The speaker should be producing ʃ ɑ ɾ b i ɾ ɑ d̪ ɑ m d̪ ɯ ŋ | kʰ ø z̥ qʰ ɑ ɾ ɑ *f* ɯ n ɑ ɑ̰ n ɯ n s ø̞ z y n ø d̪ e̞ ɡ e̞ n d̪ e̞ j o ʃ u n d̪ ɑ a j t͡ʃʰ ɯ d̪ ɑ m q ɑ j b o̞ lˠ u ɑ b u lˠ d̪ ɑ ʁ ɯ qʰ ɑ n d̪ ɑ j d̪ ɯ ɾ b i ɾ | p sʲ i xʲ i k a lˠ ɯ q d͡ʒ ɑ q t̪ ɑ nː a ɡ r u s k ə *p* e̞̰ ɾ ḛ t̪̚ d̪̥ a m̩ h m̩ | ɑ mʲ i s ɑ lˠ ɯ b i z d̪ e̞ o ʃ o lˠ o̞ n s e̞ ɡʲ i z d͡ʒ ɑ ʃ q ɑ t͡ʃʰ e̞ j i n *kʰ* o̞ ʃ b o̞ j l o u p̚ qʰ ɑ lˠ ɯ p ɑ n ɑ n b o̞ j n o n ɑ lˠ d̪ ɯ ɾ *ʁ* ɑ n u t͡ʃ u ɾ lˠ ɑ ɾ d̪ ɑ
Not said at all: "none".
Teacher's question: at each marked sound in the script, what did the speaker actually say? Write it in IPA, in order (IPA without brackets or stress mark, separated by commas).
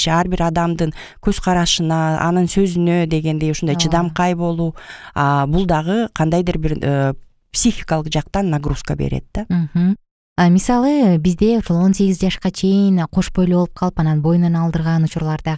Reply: ʃ, b, qʰ, ʁ